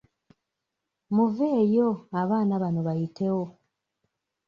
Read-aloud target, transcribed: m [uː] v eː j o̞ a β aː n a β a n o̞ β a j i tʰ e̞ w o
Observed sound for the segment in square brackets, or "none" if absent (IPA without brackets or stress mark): u